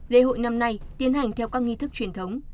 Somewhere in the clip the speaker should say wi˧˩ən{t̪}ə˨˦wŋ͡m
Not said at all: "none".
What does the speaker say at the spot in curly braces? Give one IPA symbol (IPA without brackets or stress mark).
t̪ʰ